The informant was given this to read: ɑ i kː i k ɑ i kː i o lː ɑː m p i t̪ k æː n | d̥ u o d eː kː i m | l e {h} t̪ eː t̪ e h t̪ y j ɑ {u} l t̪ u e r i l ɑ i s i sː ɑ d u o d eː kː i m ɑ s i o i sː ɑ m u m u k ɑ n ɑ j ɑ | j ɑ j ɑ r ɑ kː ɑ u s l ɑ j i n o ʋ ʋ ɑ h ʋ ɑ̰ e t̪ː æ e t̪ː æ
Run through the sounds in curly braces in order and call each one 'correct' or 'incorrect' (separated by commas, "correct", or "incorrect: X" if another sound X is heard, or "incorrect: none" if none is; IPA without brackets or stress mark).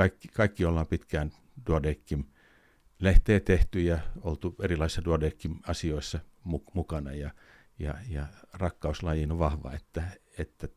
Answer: correct, incorrect: o